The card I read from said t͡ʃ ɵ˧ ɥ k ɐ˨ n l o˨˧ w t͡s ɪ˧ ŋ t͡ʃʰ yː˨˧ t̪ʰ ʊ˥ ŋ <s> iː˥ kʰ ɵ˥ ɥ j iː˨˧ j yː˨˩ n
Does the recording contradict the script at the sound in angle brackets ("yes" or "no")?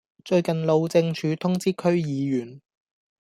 yes